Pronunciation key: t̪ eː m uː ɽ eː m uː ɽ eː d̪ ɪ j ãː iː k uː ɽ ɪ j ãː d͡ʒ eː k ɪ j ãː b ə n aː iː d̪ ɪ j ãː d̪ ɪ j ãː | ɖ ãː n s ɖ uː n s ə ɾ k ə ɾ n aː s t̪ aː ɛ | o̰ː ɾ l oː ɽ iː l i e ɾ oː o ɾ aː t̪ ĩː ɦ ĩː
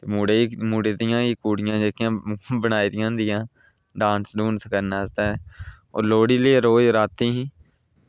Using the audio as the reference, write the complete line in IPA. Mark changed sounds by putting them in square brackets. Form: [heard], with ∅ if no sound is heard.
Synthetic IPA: t̪ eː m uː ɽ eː m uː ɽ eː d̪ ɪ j ãː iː k uː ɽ ɪ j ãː d͡ʒ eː k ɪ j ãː b ə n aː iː d̪ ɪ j ãː d̪ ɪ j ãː | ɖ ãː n s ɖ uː n s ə [∅] k ə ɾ n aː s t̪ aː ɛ | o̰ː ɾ l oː ɽ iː l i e ɾ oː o ɾ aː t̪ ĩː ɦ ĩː